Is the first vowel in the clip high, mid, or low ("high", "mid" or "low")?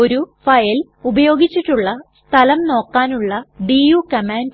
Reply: mid